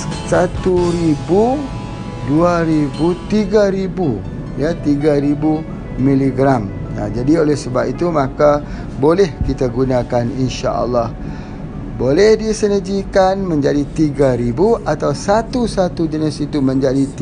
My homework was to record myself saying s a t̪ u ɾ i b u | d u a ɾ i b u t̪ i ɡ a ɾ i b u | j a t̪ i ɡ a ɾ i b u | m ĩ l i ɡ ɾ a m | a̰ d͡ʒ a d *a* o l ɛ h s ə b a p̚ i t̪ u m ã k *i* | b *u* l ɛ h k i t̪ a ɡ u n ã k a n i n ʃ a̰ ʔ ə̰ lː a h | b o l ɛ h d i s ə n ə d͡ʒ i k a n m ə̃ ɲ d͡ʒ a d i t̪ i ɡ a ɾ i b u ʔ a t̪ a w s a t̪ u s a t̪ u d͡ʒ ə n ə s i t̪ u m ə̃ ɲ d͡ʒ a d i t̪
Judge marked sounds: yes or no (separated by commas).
no, no, no